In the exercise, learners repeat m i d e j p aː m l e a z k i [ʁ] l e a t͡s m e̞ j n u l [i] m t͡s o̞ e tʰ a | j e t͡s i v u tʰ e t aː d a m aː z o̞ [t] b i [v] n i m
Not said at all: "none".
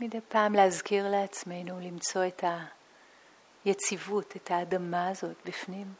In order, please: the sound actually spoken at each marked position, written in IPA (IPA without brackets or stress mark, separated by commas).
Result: ʁ, i, t, f